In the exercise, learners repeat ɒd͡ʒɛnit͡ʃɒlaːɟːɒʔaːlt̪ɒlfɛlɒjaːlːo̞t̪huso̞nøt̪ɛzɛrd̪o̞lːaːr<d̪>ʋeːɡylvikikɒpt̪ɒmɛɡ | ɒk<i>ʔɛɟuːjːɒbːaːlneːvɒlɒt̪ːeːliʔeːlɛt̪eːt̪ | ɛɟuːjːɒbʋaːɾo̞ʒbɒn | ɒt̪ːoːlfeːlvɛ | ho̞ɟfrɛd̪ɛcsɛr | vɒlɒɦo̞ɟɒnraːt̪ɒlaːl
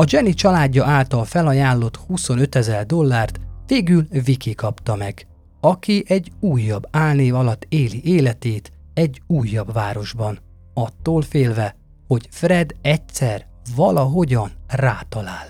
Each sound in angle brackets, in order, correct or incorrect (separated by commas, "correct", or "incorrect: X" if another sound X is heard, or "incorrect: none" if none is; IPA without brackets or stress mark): incorrect: t̪, correct